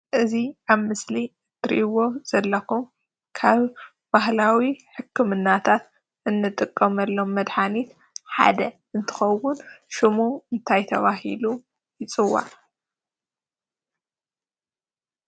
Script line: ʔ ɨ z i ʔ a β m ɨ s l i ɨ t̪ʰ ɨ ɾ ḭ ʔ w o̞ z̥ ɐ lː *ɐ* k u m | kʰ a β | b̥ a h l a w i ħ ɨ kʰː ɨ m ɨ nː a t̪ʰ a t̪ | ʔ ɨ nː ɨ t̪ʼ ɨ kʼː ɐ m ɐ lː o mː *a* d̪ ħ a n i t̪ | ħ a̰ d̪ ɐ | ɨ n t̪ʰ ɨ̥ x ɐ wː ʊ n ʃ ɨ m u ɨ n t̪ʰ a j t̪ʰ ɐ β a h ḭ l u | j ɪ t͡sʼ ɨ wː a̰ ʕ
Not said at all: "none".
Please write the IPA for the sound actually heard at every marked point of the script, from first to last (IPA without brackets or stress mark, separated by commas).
ɐ, ɐ